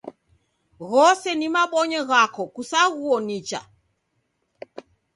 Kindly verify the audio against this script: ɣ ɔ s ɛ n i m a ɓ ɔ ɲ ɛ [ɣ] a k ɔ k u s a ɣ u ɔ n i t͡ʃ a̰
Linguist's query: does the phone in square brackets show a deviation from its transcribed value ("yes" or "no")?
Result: no